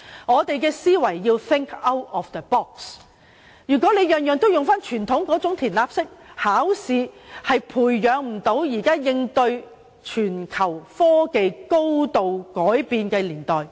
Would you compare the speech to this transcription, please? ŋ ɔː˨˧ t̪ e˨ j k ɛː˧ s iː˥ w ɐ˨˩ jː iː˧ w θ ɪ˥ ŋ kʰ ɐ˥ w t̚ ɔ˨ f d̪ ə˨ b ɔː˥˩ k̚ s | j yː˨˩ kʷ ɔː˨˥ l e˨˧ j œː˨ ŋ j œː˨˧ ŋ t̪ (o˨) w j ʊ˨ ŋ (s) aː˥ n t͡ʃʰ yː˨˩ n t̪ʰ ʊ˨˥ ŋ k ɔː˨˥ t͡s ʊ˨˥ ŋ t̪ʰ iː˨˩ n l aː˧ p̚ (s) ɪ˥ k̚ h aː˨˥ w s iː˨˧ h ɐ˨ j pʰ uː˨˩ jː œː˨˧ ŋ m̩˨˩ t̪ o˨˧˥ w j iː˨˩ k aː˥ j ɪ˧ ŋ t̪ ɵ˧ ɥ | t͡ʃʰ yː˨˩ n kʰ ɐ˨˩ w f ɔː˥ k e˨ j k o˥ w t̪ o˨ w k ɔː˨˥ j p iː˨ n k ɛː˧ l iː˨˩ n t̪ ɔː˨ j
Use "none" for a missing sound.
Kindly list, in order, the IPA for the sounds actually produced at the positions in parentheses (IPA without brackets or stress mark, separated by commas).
o˥, f, s